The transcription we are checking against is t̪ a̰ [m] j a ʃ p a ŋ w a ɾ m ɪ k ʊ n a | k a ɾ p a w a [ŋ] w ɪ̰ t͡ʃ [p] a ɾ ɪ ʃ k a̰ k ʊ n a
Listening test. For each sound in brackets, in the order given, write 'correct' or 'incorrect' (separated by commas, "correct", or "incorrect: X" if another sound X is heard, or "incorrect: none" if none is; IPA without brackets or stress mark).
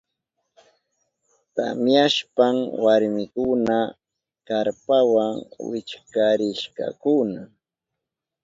correct, correct, incorrect: k